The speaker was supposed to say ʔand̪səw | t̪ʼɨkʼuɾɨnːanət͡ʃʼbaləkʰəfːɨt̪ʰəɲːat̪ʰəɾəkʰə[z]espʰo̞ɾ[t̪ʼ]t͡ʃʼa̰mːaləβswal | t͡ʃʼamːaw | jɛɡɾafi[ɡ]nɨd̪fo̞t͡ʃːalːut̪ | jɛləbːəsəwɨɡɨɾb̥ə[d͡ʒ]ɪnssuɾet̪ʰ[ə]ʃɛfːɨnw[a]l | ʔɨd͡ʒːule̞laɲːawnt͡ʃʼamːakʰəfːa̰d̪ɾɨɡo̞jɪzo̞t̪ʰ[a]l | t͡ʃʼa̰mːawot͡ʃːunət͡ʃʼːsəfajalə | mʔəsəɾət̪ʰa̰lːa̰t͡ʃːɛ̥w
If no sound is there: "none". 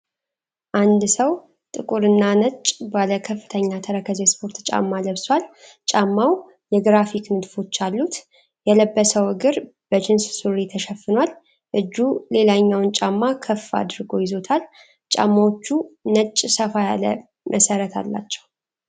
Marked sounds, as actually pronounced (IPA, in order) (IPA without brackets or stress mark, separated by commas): z, t̪, k, d͡ʒ, ə, a, a